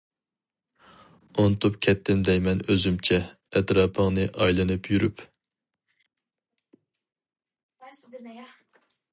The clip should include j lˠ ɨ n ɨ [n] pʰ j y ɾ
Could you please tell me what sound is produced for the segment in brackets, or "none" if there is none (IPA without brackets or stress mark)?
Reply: none